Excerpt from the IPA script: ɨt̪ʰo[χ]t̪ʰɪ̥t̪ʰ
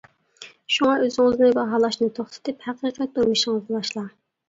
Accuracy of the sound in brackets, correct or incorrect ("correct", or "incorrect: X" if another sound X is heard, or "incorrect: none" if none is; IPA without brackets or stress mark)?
correct